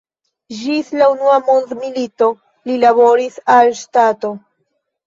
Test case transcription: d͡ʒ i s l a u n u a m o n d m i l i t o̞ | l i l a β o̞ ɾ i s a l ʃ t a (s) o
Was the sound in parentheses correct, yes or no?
no